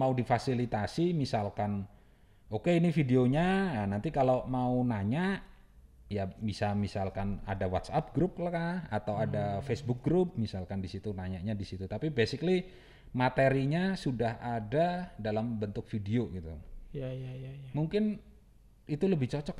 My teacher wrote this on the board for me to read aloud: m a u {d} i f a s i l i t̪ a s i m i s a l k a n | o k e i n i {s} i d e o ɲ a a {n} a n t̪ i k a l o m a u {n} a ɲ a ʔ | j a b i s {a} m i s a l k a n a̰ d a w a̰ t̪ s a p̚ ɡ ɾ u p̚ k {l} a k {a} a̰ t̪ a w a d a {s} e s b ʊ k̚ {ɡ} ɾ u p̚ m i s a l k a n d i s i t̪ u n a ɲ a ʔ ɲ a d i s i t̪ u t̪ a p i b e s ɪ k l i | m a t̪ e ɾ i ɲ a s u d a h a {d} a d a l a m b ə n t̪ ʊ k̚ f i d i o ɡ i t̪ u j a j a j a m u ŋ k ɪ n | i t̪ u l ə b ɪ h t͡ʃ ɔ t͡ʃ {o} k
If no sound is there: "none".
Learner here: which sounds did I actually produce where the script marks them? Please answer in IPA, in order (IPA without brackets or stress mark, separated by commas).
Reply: d, f, n, n, a, l, a, f, ɡ, d, ɔ